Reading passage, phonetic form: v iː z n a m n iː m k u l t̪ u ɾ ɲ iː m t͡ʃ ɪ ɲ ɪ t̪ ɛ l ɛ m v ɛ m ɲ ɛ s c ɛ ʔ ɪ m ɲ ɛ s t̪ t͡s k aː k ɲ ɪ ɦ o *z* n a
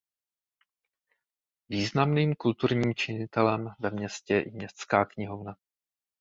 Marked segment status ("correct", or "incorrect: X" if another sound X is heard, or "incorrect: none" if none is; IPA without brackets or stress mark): incorrect: v